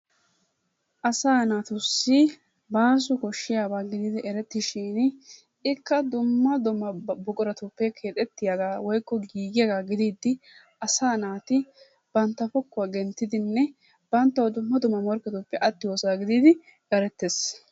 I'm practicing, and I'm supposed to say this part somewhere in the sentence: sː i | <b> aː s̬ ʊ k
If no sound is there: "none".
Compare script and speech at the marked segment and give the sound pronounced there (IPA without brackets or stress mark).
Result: b